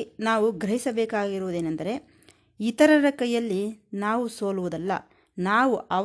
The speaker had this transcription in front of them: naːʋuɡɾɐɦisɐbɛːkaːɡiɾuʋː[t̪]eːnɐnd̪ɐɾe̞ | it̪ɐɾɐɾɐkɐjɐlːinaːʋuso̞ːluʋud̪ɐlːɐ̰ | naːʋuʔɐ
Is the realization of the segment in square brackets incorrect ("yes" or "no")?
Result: yes